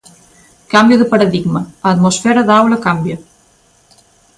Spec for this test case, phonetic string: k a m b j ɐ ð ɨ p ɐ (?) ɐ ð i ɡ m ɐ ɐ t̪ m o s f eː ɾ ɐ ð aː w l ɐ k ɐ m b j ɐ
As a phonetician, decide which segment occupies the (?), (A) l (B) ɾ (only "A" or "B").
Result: B